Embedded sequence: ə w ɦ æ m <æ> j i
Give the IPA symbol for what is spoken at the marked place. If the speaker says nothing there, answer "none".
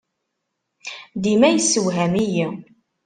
i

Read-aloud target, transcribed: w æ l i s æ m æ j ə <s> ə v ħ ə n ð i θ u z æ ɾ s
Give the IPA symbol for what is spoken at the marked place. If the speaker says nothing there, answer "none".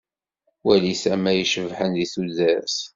ʃ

